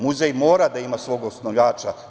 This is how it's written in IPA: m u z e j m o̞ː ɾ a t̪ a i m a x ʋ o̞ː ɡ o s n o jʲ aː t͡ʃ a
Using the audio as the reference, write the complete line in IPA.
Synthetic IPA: m u z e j m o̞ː ɾ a d̪ a i m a s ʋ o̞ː ɡ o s n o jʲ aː t͡ʃ a